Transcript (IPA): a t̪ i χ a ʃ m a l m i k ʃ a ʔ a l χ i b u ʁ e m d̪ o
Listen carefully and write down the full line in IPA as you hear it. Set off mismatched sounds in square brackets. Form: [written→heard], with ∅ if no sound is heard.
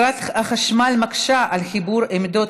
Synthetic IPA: a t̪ [i→a] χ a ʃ m a l m [i→a] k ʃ a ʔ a l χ i b u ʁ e m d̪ o

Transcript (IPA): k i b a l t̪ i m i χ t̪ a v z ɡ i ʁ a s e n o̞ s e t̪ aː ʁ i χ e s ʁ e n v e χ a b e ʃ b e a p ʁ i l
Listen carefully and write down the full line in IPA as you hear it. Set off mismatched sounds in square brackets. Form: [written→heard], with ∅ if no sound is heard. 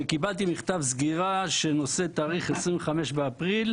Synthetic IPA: k i b a l t̪ i m i χ t̪ a v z ɡ i ʁ a [s→ʃ] e n o̞ s e t̪ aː ʁ i χ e s ʁ [e→i] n v e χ a [b→m] e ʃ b e a p ʁ i l

